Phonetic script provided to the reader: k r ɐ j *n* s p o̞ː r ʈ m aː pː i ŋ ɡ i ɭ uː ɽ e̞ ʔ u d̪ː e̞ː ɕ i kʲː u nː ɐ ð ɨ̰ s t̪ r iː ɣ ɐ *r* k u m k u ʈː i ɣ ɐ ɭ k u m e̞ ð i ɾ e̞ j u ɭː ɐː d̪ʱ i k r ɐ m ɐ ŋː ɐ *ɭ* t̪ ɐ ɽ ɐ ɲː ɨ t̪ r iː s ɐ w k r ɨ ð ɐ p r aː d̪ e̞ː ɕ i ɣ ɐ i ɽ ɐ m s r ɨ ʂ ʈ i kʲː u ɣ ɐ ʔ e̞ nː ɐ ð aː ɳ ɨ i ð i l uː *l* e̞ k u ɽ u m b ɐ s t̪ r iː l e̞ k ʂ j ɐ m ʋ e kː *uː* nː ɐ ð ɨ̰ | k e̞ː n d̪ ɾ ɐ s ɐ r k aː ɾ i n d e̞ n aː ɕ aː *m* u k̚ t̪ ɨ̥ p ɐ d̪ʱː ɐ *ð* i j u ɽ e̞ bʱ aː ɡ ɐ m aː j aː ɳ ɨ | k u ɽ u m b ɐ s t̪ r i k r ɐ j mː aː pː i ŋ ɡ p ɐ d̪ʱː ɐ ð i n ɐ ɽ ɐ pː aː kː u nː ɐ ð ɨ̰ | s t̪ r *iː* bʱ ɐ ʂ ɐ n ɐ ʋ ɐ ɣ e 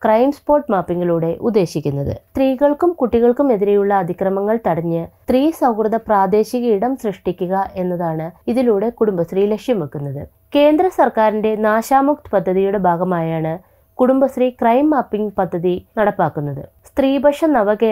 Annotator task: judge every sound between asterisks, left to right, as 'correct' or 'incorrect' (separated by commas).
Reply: incorrect, incorrect, correct, incorrect, incorrect, correct, correct, correct